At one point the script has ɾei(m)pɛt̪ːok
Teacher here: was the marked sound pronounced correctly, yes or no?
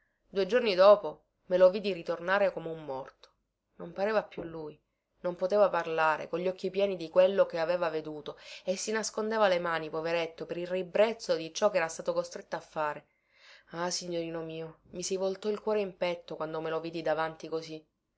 yes